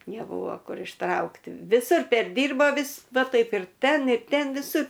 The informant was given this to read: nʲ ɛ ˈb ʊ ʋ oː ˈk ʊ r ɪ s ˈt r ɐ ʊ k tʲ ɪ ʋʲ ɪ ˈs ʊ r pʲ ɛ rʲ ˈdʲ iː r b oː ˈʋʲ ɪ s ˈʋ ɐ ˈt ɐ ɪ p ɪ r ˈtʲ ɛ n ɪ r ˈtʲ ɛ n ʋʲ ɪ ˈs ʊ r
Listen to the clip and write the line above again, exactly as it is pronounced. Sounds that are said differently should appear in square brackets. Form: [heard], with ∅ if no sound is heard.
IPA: nʲ ɛ ˈb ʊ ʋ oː ˈk ʊ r ɪ [ʃ] ˈt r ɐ ʊ k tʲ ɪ ʋʲ ɪ ˈs ʊ r pʲ ɛ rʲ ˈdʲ iː r b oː ˈʋʲ ɪ s ˈʋ ɐ ˈt ɐ ɪ p ɪ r ˈtʲ ɛ n ɪ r ˈtʲ ɛ n ʋʲ ɪ ˈs ʊ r